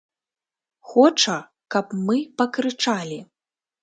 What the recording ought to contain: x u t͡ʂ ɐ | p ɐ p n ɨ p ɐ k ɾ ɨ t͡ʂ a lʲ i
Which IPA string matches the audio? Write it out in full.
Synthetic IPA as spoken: x ɔ t͡ʂ ɐ | k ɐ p m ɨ p ɐ k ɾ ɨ t͡ʂ a lʲ i